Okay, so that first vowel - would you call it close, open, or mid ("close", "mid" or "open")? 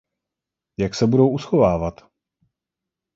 open